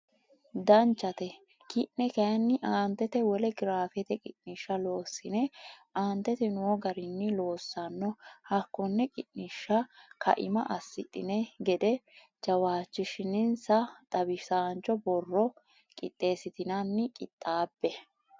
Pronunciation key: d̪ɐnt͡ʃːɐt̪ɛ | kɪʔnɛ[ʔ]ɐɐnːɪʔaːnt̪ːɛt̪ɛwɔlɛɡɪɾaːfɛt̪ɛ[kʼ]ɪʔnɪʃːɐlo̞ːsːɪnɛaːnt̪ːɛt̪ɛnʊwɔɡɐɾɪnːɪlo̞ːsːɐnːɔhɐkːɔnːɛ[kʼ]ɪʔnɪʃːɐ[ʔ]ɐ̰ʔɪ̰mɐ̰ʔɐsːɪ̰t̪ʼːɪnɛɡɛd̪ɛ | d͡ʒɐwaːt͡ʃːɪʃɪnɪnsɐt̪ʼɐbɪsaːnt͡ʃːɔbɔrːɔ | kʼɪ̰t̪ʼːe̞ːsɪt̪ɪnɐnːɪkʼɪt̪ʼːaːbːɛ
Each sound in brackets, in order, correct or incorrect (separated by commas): incorrect, correct, correct, incorrect